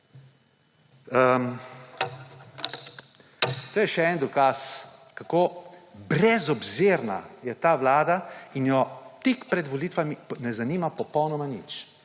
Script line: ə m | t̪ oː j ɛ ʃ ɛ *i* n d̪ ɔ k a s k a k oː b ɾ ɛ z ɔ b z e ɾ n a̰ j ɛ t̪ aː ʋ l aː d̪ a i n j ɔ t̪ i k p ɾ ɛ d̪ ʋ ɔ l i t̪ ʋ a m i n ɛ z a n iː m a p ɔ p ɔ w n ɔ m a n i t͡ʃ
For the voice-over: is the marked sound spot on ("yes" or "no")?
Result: no